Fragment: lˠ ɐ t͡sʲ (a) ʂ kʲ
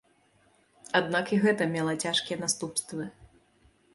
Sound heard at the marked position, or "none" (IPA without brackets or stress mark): a